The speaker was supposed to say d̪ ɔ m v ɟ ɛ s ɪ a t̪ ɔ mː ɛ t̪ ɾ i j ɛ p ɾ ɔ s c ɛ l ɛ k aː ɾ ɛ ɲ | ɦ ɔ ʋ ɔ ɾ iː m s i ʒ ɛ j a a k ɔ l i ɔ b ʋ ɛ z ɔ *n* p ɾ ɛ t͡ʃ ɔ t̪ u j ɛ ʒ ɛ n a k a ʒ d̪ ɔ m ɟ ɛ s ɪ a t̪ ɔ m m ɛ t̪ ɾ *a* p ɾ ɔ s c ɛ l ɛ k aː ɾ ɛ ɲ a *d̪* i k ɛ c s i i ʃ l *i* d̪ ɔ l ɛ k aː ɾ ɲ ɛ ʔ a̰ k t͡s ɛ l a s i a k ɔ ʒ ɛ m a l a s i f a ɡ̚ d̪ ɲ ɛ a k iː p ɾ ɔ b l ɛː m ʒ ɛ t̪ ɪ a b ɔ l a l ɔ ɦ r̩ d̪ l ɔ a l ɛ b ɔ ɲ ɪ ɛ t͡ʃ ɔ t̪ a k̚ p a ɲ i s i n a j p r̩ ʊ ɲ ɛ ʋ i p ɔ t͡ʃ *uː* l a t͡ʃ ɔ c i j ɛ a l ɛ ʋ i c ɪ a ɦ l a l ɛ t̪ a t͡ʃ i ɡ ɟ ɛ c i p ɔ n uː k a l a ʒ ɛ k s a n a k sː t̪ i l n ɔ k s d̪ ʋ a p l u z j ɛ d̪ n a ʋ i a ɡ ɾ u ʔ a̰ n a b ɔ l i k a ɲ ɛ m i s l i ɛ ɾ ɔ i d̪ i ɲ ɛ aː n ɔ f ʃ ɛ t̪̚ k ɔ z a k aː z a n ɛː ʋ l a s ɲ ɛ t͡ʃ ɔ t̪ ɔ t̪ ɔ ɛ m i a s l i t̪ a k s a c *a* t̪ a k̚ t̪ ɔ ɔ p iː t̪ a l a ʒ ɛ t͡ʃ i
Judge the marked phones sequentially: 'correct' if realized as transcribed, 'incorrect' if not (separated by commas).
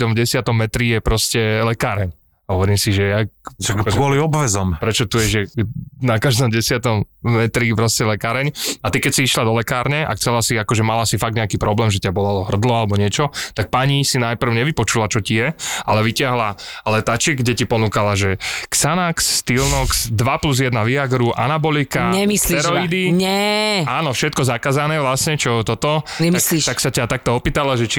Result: incorrect, incorrect, incorrect, incorrect, incorrect, correct